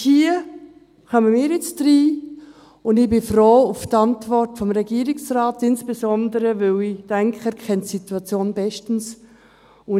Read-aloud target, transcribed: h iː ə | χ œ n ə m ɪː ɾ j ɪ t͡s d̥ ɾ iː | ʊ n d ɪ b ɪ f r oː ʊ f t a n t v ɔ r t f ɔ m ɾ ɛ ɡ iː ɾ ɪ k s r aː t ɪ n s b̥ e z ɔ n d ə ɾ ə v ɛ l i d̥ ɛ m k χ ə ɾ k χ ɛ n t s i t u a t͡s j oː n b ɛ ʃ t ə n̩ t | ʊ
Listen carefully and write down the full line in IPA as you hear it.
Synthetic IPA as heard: h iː ə | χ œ m ə m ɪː ɾ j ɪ t͡s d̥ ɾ iː | ʊ n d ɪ b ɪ f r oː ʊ f t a n t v ɔ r t f ɔ m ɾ ɛ ɡ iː ɾ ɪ k s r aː t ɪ n s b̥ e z ɔ n d ə ɾ ə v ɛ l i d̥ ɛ ŋ k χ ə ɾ k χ ɛ n t s i t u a t͡s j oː n b ɛ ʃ t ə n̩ s | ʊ